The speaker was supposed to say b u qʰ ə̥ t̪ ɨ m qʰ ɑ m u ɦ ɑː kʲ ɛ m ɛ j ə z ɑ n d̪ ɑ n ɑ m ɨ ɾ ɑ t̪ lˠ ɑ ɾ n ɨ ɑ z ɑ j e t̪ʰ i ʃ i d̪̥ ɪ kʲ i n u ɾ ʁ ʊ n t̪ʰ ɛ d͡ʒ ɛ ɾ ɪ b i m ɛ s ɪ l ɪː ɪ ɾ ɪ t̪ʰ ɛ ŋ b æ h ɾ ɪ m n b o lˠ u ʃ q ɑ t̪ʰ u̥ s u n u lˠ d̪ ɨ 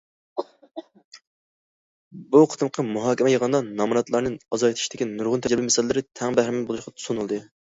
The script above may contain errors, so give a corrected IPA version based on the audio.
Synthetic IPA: b u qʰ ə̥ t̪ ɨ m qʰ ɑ m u ɦ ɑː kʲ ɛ m ɛ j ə ʁ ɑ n d̪ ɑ n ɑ m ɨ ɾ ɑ t̪ lˠ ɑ ɾ n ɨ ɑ z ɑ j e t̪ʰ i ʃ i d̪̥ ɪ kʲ i n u ɾ ʁ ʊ n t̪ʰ ɛ d͡ʒ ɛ ɾ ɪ b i m ɛ s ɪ l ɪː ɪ ɾ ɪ t̪ʰ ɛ ŋ b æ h ɾ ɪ m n b o lˠ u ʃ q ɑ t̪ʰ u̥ s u n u lˠ d̪ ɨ